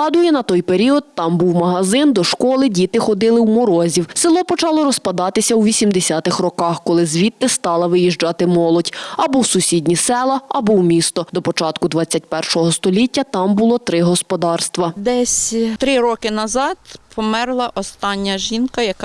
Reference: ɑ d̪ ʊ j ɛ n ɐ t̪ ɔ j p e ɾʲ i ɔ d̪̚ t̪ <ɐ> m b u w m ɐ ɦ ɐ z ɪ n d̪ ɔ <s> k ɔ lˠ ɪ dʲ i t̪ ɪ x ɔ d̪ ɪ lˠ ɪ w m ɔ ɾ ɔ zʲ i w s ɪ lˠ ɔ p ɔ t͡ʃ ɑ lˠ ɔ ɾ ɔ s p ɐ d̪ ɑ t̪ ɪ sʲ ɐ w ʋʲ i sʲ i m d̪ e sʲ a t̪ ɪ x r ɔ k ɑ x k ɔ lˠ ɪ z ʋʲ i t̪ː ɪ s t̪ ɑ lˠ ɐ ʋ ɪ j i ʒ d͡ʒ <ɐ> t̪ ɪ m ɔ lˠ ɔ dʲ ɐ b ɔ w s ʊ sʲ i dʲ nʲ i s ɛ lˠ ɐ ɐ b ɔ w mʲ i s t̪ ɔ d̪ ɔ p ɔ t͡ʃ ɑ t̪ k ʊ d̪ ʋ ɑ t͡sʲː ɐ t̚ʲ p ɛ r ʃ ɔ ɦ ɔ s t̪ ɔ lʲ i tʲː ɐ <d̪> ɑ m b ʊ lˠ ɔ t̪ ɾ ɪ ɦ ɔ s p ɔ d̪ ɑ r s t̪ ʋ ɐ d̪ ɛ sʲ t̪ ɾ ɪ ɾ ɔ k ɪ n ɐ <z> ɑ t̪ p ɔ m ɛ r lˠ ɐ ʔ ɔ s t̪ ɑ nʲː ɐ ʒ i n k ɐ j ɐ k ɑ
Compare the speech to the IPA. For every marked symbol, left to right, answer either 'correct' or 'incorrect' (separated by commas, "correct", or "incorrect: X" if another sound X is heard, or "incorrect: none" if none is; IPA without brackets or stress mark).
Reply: incorrect: ɑ, incorrect: ʃ, incorrect: ɑ, incorrect: t̪, correct